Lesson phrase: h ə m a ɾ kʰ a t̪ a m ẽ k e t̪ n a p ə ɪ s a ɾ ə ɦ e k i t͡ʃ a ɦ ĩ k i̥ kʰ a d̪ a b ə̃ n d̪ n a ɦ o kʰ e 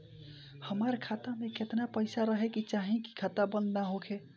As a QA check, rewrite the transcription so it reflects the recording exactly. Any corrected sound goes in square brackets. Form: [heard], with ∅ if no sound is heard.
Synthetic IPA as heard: h ə m a ɾ kʰ a t̪ a m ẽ k e t̪ n a p ə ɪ s a ɾ ə ɦ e k i t͡ʃ a ɦ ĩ k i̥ kʰ a [t̪] a b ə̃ n d̪ n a ɦ o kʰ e